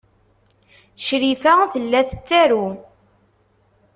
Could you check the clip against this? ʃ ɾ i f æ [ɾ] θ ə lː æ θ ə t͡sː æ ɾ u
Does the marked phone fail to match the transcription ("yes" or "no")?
yes